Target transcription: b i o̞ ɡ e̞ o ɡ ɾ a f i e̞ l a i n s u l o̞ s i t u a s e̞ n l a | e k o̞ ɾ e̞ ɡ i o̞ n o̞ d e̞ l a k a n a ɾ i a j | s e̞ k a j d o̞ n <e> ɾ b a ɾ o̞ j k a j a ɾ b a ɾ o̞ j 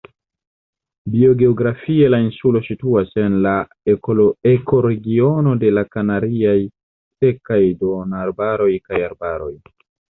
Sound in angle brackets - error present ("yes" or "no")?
yes